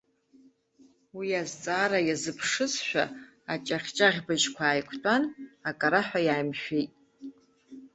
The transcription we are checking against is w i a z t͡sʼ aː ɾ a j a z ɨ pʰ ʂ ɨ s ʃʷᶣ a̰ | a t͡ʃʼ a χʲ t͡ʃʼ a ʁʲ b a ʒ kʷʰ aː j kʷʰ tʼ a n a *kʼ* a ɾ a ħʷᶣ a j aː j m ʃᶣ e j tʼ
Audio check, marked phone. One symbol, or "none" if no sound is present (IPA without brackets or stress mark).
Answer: kʼ